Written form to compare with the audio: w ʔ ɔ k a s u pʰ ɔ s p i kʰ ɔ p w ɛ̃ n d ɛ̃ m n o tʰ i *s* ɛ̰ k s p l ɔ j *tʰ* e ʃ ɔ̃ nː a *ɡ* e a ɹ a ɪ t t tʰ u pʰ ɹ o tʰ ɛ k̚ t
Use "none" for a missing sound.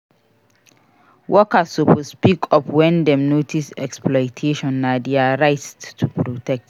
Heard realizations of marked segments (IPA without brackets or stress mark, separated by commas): s, tʰ, d